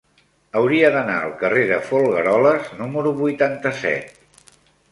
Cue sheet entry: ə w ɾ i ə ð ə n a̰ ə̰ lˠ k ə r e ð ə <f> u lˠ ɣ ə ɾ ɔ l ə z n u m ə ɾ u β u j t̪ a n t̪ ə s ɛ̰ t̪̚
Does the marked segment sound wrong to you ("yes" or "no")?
no